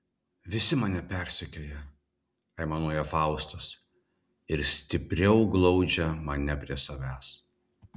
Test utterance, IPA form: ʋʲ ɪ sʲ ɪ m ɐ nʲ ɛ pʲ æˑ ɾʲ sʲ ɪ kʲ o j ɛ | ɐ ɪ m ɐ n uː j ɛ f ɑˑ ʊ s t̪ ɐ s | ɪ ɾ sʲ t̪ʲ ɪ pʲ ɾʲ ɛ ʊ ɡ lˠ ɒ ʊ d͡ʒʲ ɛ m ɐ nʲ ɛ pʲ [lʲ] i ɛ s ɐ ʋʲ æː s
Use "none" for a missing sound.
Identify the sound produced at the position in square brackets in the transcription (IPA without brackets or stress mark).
ɾʲ